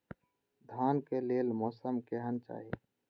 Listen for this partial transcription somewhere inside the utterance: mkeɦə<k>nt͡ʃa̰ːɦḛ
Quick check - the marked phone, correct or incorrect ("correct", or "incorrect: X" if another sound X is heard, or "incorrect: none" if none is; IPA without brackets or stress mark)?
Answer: incorrect: none